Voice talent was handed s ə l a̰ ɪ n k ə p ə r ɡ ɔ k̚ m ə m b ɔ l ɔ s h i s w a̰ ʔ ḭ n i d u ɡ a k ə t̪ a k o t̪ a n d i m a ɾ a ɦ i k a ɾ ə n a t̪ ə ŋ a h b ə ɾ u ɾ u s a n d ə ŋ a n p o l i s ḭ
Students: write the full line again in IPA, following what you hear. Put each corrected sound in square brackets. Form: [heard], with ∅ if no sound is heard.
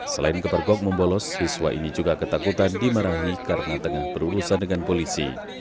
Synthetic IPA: s ə l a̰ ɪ n k ə p ə r ɡ ɔ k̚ m ə m b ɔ l ɔ s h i s w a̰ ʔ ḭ n i [d͡ʒ] u ɡ a k ə t̪ a k [u] t̪ a n d i m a ɾ a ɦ i k a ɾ ə n a t̪ ə ŋ a h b ə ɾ u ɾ u s a n d ə ŋ a n p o l i s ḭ